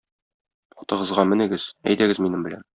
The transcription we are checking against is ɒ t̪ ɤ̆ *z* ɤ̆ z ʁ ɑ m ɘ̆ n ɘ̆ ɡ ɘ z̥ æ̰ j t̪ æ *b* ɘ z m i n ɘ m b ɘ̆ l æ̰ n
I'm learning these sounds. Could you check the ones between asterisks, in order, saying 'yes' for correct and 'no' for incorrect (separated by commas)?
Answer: no, no